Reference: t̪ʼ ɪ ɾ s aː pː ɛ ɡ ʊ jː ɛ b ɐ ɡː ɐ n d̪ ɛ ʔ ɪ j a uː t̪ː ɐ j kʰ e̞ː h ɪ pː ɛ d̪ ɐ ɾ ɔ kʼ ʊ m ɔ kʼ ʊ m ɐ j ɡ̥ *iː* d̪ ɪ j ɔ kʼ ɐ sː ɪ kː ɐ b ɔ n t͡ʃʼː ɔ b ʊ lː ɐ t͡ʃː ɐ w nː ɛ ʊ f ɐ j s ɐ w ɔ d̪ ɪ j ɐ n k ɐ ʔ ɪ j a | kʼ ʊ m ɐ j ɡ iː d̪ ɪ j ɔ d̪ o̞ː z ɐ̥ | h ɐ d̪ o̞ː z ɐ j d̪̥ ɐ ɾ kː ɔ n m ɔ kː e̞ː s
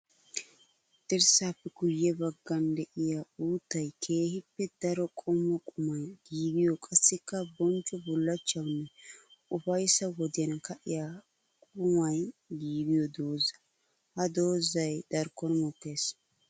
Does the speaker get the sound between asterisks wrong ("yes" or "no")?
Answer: no